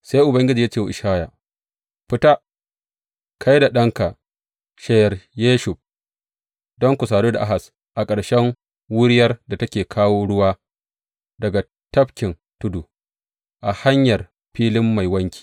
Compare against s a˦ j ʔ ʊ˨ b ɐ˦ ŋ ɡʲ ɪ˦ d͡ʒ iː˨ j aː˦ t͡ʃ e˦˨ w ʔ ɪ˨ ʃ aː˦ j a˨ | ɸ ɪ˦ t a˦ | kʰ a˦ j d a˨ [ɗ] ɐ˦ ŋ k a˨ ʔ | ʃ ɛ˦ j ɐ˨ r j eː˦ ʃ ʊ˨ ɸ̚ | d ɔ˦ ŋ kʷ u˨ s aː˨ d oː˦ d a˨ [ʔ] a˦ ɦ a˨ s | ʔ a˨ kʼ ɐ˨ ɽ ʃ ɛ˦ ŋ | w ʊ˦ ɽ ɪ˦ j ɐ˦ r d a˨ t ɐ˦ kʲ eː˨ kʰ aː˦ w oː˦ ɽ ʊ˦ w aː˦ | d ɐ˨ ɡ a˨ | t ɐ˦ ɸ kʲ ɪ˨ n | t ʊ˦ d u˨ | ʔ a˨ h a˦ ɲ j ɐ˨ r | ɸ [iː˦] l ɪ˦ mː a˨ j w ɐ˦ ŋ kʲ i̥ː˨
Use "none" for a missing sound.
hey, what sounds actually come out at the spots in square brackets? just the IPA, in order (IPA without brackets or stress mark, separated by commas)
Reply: ɗ, ʔ, iː˦